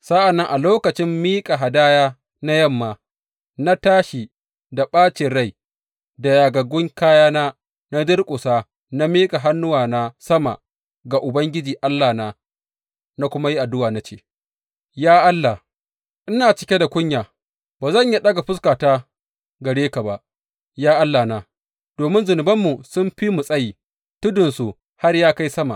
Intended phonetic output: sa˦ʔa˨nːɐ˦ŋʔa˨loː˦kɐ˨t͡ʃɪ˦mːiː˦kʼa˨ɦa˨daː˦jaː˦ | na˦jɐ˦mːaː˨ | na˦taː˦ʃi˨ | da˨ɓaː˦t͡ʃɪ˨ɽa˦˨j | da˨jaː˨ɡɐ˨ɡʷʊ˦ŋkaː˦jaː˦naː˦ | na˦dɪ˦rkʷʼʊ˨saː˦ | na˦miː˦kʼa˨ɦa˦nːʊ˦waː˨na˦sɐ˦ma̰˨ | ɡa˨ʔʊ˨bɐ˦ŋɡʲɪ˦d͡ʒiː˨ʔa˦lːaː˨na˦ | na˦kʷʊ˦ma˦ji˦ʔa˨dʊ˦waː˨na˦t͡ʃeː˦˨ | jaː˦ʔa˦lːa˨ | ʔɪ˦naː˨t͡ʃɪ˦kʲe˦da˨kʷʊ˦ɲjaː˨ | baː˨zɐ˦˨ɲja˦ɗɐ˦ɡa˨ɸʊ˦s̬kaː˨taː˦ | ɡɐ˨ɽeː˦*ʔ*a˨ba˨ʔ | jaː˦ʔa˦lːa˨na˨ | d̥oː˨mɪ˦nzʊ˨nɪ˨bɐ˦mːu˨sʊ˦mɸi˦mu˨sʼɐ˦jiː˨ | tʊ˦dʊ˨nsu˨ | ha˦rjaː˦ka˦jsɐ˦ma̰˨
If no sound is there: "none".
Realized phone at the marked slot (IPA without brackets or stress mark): k